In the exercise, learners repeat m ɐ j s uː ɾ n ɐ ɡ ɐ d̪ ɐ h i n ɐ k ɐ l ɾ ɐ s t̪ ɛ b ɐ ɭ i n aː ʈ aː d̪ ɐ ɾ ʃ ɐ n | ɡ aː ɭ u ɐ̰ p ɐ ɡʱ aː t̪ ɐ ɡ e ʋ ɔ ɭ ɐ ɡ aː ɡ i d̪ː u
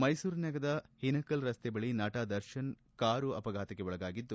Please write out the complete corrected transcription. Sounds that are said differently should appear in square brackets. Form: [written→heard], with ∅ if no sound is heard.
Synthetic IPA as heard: m ɐ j s uː ɾ n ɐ ɡ ɐ d̪ ɐ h i n ɐ k ɐ l ɾ ɐ s t̪ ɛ b ɐ ɭ i n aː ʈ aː d̪ ɐ ɾ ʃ ɐ n | [ɡ→k] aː [ɭ→ɾ] u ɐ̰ p ɐ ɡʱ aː t̪ ɐ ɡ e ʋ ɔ ɭ ɐ ɡ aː ɡ i d̪ː u